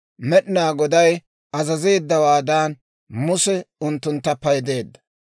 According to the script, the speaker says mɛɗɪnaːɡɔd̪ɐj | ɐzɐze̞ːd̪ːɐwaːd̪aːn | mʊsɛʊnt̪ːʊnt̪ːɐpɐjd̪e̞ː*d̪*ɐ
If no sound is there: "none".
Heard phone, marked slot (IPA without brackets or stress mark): d̪ː